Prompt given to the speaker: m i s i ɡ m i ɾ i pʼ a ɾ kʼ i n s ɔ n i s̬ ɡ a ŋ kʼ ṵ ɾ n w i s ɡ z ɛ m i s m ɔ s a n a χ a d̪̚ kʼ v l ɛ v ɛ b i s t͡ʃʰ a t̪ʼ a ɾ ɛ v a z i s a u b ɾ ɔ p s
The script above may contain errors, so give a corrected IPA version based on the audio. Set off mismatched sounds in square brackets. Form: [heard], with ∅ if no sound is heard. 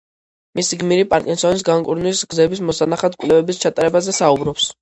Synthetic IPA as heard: m i s i ɡ m i ɾ i pʼ a ɾ kʼ i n s ɔ n i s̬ ɡ a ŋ kʼ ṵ ɾ n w i s ɡ z ɛ [b] i s m ɔ s a n a χ a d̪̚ kʼ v l ɛ v ɛ b i s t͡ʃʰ a t̪ʼ a ɾ ɛ [b] a z [ɛ] s a u b ɾ ɔ p s

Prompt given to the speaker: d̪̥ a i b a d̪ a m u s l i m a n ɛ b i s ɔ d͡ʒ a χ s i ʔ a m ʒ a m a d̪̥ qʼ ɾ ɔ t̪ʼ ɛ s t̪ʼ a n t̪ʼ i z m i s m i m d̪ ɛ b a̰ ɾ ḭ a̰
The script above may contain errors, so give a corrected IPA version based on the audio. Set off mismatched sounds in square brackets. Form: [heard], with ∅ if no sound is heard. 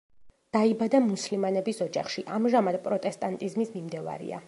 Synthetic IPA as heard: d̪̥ a i b a d̪ a m u s l i m a n ɛ b i s ɔ d͡ʒ a χ [ʃ] i ʔ a m ʒ a m a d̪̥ [pʼ] ɾ ɔ t̪ʼ ɛ s t̪ʼ a n t̪ʼ i z m i s m i m d̪ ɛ [v] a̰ ɾ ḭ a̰

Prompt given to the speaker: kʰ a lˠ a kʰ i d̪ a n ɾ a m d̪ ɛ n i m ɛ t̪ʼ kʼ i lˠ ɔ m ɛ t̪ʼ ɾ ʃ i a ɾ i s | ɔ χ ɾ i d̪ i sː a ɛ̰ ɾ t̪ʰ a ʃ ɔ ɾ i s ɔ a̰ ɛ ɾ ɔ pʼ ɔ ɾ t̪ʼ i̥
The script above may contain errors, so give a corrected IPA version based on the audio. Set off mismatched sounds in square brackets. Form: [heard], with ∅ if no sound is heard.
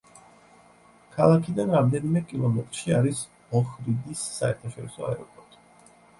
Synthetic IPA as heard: kʰ a lˠ a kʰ i d̪ a n ɾ a m d̪ ɛ n i m ɛ [∅] kʼ i lˠ ɔ m ɛ t̪ʼ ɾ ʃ i a ɾ i s | ɔ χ ɾ i d̪ i sː a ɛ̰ ɾ t̪ʰ a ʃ ɔ ɾ i s ɔ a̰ ɛ ɾ ɔ pʼ ɔ ɾ t̪ʼ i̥

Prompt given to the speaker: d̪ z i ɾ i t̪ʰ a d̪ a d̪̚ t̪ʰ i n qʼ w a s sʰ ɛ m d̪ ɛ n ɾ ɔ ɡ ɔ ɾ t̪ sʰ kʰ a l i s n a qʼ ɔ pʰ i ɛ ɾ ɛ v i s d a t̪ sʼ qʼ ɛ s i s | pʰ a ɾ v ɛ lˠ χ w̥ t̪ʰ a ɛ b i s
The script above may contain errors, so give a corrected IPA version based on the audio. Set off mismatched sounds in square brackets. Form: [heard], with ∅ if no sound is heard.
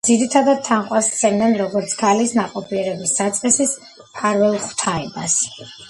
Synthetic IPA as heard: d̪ z i ɾ i t̪ʰ a d̪ a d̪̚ t̪ʰ [a] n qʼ w a s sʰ ɛ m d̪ ɛ n ɾ ɔ ɡ ɔ ɾ t̪ sʰ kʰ a l i s n a qʼ ɔ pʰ i ɛ ɾ ɛ [b] i s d a t̪ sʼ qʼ ɛ s i s | pʰ a ɾ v ɛ lˠ χ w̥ t̪ʰ a ɛ b [a] s

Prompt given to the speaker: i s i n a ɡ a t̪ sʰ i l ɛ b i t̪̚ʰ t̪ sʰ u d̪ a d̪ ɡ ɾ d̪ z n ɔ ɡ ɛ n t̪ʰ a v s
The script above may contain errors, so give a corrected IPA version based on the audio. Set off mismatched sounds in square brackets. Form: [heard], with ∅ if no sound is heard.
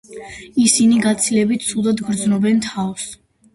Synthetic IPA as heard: i s i n [i] ɡ a t̪ sʰ i l ɛ b i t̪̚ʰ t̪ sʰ u d̪ a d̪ ɡ ɾ d̪ z n ɔ [b] ɛ n t̪ʰ a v s

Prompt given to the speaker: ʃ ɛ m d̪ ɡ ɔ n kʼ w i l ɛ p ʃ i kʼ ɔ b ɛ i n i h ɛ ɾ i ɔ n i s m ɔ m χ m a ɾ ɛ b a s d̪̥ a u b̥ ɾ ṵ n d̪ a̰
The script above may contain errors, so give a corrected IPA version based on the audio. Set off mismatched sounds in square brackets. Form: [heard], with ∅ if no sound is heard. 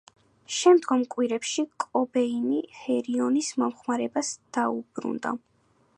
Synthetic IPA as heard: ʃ ɛ m d̪ ɡ ɔ [m] kʼ w i [ɾ] ɛ p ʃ i kʼ ɔ b ɛ i n i h ɛ ɾ i ɔ n i s m ɔ m χ m a ɾ ɛ b a s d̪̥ a u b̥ ɾ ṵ n d̪ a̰

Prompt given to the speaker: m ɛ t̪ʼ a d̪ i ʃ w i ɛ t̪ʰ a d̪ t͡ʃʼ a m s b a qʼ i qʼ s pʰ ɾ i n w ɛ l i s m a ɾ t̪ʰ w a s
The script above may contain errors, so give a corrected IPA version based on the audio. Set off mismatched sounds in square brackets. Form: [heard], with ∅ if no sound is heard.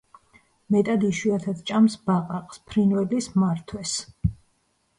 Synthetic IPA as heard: m ɛ t̪ʼ a d̪ i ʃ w i [a] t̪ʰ a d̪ t͡ʃʼ a m s b a qʼ [a] qʼ s pʰ ɾ i n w ɛ l i s m a ɾ t̪ʰ w [ɛ] s

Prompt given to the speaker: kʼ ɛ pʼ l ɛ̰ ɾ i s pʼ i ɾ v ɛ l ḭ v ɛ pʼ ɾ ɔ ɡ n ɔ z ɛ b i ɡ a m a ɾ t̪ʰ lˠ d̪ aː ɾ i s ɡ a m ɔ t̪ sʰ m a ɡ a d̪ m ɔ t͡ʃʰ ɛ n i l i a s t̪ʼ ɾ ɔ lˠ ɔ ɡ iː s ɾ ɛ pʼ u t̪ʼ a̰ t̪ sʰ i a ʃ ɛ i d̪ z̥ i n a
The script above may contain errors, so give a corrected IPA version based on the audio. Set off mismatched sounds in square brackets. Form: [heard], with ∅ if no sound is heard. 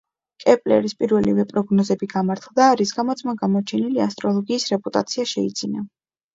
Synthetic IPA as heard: kʼ ɛ pʼ l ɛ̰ ɾ i s pʼ i ɾ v ɛ l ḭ v ɛ pʼ ɾ ɔ ɡ n ɔ z ɛ b i ɡ a m a ɾ t̪ʰ lˠ d̪ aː ɾ i s ɡ a m ɔ t̪ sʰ m a ɡ a [∅] m ɔ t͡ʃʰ ɛ n i l i a s t̪ʼ ɾ ɔ lˠ ɔ ɡ iː s ɾ ɛ pʼ u t̪ʼ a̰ t̪ sʰ i a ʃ ɛ i d̪ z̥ i n a

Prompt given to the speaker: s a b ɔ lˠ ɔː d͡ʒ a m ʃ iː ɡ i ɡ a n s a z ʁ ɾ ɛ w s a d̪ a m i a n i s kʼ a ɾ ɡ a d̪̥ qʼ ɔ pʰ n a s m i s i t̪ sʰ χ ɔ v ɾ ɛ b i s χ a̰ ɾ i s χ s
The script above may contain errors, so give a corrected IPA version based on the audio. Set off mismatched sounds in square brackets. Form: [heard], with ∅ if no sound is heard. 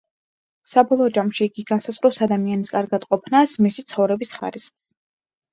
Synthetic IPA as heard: s a b ɔ lˠ ɔː d͡ʒ a m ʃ iː ɡ i ɡ a n s a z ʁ ɾ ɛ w s a d̪ a m i a n i s kʼ a ɾ ɡ a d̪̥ qʼ ɔ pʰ n a s m i s i t̪ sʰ χ ɔ v ɾ ɛ b i s χ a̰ ɾ i s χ s

